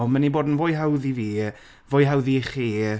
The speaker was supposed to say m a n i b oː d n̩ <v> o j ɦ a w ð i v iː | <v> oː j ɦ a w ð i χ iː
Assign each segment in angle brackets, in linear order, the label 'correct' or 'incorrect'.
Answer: correct, correct

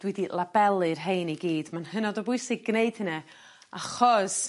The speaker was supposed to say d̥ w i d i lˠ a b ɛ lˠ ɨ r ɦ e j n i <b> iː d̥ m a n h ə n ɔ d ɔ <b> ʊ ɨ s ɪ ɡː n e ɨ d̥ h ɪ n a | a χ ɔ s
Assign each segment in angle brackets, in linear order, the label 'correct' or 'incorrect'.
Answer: incorrect: ɡ, correct

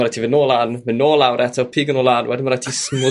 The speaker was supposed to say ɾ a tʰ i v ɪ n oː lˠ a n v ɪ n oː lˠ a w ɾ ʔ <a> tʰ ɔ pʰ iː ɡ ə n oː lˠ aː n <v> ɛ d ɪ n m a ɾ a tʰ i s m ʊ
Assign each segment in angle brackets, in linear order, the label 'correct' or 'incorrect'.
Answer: incorrect: ɛ, incorrect: w

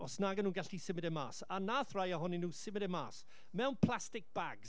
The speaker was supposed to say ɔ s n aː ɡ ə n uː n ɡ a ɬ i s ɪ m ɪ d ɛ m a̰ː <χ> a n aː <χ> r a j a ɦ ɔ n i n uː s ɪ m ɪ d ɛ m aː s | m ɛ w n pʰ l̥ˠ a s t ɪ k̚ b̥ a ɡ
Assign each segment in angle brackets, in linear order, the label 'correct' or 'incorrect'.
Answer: incorrect: s, incorrect: θ

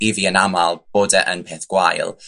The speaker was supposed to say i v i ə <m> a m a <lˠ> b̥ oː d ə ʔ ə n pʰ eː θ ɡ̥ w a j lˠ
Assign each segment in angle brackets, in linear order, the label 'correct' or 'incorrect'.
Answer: incorrect: n, correct

